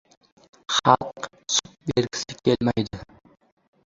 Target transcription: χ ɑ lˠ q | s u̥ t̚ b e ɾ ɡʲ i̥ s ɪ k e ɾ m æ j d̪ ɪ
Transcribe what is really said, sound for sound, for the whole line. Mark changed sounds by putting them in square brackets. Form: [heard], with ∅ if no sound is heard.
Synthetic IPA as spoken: χ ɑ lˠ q | s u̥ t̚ b e ɾ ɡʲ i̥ s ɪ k e [l] m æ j d̪ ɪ